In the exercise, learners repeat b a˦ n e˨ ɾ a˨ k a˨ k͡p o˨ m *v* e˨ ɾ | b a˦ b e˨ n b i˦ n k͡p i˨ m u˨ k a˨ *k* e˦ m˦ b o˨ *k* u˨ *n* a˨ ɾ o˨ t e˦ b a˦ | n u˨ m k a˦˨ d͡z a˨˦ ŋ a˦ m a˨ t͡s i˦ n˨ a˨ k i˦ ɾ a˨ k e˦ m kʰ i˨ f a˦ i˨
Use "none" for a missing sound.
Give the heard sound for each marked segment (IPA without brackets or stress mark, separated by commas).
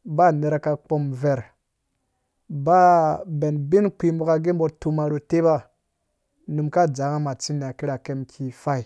v, ɡ, t, m